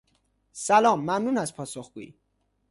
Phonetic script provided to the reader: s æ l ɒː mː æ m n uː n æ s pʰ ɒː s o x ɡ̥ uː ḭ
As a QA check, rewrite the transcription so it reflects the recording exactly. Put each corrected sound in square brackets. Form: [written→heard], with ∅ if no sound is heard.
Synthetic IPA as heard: s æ l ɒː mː æ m n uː n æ s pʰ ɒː s o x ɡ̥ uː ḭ